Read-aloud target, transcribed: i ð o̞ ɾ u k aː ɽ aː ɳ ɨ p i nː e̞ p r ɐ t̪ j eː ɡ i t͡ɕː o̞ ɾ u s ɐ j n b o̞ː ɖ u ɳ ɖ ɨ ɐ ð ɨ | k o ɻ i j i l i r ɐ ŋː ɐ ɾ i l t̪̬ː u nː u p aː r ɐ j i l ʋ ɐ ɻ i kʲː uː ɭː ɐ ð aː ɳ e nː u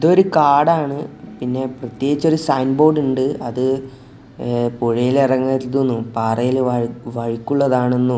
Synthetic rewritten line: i ð o̞ ɾ u k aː ɽ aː ɳ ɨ p i nː e̞ p r ɐ t̪ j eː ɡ i t͡ɕː o̞ ɾ u s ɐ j n b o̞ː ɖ u ɳ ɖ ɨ ɐ ð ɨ | p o ɻ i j i l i r ɐ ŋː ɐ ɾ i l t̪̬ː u nː u p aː r ɐ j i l ʋ ɐ ɻ i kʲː u ɭː ɐ ð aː ɳ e nː u